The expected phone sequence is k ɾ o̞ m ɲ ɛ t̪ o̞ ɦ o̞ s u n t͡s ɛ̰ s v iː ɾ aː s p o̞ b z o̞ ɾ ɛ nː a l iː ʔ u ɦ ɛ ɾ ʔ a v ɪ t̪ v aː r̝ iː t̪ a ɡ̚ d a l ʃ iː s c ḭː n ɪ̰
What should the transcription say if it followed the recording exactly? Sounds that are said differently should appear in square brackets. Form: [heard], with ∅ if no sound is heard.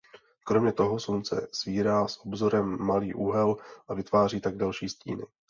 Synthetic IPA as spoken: k ɾ o̞ m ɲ ɛ t̪ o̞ ɦ o̞ s u n t͡s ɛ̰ s v iː ɾ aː s [ʔ] o̞ b z o̞ ɾ ɛ [mː] a l iː ʔ u ɦ ɛ [l] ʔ a v ɪ t̪ v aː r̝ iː t̪ a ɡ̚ d a l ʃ iː s c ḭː n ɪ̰

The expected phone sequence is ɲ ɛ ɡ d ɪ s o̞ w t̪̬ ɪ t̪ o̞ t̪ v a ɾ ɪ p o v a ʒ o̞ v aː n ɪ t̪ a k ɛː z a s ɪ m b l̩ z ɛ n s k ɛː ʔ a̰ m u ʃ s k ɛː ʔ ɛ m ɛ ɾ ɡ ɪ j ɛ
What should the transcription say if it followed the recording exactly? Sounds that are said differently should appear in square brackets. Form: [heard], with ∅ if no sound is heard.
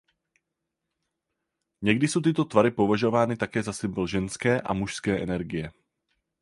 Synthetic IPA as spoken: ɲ ɛ ɡ d ɪ s o̞ w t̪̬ ɪ t̪ o̞ t̪ v a ɾ ɪ p o v a ʒ o̞ v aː n ɪ t̪ a k ɛː z a s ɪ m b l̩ [ʒ] ɛ n s k ɛː ʔ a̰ m u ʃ s k ɛː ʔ ɛ [n] ɛ ɾ ɡ ɪ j ɛ

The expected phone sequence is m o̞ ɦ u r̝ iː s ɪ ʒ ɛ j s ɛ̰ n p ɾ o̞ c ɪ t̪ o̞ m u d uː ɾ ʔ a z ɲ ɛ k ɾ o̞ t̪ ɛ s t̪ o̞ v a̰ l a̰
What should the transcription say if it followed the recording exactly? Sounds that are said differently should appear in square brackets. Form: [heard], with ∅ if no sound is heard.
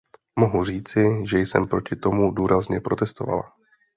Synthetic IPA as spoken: m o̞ ɦ u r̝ iː [t͡s] ɪ ʒ ɛ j s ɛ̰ [m] p ɾ o̞ c ɪ t̪ o̞ m u d uː ɾ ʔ a z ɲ ɛ [p] ɾ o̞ t̪ ɛ s t̪ o̞ v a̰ l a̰

